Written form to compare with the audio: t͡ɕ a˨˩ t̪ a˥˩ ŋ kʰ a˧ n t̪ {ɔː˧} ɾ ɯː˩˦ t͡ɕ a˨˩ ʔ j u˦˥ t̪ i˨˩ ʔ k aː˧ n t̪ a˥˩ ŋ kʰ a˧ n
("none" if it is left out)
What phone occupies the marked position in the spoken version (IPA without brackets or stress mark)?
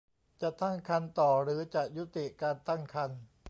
ɔː˨˩